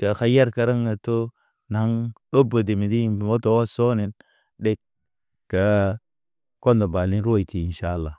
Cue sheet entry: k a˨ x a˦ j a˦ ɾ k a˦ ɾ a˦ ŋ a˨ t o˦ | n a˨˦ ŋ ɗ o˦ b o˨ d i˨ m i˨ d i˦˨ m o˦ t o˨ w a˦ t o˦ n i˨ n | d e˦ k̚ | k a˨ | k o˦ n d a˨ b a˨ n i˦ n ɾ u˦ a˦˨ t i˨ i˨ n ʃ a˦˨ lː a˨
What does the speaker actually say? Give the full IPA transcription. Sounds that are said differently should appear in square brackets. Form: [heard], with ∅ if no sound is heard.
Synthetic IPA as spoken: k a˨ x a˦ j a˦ ɾ k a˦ ɾ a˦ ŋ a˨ t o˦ | n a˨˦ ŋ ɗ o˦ b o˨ d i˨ m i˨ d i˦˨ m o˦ t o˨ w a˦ [s] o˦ n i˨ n | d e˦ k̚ | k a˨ | k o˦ n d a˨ b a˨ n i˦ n ɾ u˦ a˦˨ t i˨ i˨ n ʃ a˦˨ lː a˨